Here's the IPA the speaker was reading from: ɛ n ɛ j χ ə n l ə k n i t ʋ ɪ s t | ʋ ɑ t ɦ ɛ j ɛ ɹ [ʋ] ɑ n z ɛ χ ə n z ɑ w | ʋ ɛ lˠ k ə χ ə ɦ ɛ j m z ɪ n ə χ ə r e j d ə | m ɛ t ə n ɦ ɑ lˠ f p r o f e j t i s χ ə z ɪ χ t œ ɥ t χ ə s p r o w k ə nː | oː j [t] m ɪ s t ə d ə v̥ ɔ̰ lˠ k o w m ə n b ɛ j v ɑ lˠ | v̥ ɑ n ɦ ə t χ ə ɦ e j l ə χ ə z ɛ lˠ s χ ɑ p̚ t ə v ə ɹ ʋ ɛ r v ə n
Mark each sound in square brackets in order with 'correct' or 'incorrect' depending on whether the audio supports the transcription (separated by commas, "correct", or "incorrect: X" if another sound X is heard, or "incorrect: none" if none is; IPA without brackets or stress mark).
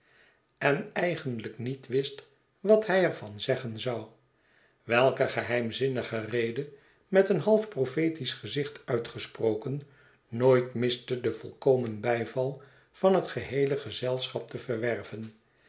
incorrect: v, correct